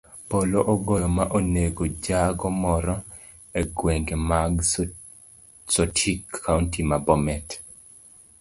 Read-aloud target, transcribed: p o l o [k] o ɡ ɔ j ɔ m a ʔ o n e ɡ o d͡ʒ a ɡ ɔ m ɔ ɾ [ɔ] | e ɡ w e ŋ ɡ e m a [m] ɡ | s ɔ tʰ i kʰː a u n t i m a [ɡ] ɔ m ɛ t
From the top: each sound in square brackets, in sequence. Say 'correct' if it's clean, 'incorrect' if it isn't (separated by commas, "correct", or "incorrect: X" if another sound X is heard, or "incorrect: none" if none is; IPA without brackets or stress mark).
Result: incorrect: ʔ, correct, incorrect: none, incorrect: b